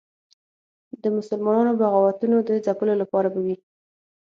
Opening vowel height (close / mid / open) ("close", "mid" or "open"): mid